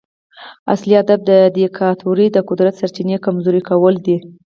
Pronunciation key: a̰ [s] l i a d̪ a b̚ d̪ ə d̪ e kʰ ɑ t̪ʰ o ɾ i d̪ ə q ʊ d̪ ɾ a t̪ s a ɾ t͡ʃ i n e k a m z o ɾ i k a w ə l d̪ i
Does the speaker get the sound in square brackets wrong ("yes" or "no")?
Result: no